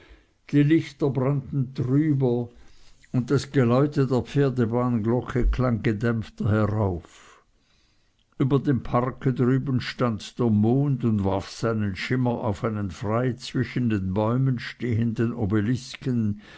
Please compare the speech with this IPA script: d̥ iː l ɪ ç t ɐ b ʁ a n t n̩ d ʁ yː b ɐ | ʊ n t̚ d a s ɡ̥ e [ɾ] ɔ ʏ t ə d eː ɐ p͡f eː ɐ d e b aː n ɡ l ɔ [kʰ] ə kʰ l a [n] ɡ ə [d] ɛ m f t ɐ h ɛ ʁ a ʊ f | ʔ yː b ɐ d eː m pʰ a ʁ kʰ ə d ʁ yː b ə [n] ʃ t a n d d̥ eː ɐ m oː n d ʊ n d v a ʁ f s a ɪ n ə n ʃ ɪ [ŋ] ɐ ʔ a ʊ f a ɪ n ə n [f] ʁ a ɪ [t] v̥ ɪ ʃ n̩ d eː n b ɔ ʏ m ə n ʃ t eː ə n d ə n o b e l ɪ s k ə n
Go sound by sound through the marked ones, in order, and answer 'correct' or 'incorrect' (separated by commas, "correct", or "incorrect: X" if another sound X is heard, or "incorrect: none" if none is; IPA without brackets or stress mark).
incorrect: l, correct, incorrect: ŋ, correct, correct, incorrect: m, correct, incorrect: t͡s